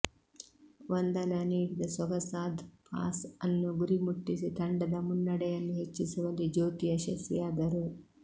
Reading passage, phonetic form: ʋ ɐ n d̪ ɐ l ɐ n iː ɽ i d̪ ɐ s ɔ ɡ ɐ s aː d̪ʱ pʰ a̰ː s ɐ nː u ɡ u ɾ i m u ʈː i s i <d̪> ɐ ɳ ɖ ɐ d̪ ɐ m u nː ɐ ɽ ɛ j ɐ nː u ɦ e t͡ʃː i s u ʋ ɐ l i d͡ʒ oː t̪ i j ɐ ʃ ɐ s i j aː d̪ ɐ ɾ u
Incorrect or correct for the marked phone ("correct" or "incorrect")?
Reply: incorrect